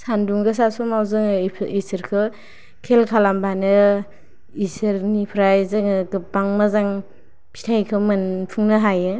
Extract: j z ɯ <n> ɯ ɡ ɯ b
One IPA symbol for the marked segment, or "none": ŋ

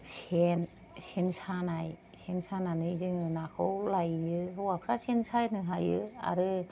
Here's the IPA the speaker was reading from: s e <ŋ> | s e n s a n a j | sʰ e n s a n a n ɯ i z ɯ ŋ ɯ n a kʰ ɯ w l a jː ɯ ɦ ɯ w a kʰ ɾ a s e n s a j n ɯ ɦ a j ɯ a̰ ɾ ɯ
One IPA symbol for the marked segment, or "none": n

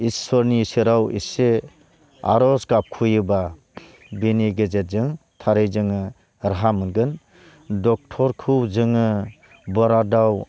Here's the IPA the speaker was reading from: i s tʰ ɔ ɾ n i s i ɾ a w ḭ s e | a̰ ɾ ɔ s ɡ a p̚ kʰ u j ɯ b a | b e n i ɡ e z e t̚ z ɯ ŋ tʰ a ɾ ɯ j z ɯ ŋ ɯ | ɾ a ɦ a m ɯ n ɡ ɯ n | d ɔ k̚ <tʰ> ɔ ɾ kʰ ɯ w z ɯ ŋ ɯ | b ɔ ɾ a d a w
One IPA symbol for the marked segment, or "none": tʰ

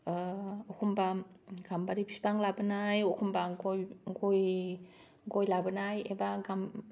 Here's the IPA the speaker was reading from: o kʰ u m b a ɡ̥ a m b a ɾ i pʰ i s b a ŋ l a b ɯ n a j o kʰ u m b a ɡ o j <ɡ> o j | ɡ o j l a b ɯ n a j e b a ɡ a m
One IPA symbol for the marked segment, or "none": ɡ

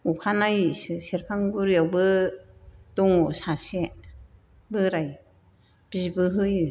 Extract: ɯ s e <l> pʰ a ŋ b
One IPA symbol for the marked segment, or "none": ɾ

